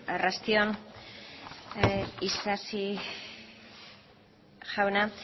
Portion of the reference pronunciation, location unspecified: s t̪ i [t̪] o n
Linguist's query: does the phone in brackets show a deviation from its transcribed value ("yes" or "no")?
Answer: yes